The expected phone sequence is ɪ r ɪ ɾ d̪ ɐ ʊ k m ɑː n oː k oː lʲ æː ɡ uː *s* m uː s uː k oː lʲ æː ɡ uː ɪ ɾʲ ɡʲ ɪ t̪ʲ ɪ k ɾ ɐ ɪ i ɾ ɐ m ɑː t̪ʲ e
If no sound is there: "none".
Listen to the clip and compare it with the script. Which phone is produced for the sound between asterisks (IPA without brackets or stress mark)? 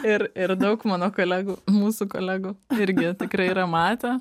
none